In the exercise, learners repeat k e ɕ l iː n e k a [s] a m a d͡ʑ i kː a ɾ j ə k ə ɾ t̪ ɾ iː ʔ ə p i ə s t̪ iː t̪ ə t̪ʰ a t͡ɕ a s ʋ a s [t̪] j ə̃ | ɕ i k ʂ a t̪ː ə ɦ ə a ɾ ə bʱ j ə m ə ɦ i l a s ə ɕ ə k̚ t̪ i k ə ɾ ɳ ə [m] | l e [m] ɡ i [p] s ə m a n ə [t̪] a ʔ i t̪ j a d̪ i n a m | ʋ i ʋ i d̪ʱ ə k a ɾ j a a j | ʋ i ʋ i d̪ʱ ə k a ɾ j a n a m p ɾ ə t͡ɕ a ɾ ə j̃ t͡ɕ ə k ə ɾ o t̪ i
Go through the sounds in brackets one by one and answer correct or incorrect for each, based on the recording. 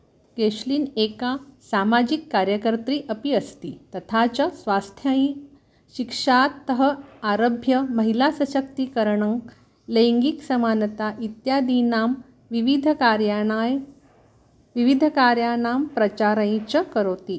correct, incorrect: t̪ʰ, incorrect: ŋ, incorrect: ŋ, incorrect: k, correct

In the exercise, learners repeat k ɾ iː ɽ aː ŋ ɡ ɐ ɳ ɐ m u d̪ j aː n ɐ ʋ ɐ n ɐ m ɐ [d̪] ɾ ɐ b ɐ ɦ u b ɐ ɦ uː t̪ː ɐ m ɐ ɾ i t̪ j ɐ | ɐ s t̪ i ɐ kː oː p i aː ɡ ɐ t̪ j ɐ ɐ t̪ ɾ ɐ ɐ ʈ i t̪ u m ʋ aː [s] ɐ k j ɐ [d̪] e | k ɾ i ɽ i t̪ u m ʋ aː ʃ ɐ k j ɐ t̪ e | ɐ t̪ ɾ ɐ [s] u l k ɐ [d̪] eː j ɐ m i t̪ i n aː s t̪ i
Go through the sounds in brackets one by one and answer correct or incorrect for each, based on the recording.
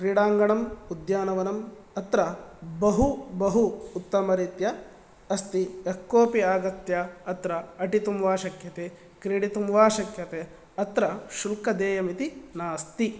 incorrect: t̪, incorrect: ʃ, incorrect: t̪, incorrect: ʃ, correct

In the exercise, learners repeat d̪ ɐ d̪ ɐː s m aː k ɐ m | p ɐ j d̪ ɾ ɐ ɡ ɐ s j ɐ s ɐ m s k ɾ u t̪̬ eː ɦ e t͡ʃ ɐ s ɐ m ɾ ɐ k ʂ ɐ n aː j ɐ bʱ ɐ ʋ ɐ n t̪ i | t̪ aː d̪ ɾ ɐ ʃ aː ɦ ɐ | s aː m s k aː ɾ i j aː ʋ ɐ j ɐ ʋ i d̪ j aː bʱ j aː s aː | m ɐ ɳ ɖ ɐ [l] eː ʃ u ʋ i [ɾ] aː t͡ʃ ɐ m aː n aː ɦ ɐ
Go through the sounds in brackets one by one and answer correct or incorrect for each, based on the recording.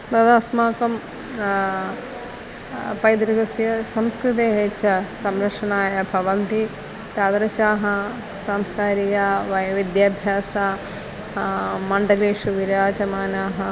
correct, correct

